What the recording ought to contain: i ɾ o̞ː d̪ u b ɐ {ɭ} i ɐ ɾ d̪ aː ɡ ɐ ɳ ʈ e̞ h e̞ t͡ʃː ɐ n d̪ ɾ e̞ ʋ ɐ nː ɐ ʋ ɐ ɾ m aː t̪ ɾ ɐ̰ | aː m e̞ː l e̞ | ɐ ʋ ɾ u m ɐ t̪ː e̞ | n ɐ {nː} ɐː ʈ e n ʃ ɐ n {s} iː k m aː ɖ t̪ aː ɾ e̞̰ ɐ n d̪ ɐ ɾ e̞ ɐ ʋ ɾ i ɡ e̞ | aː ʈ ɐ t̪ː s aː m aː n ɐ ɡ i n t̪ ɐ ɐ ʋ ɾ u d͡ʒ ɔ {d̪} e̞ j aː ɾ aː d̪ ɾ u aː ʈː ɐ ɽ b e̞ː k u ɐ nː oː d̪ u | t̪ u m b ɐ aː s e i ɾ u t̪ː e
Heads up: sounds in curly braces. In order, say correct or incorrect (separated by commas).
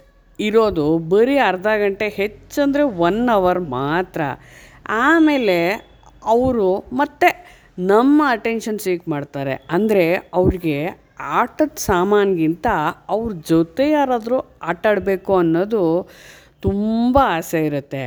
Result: incorrect, incorrect, correct, incorrect